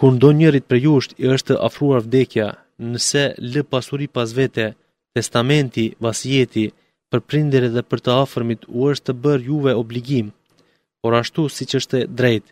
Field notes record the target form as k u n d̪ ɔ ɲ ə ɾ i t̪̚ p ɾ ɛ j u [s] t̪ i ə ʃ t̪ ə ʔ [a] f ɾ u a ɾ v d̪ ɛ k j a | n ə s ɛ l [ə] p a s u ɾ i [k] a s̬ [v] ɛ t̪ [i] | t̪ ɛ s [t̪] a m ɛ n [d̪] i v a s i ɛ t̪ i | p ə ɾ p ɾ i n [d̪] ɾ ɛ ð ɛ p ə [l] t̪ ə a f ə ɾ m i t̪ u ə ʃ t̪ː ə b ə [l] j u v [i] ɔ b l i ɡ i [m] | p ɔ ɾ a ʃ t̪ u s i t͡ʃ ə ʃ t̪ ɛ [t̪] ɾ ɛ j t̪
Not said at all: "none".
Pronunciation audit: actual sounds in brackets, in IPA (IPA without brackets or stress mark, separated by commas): ʃ, a, ə, p, v, ɛ, t̪, t̪, d̪, ɾ, ɾ, ɛ, m, d̪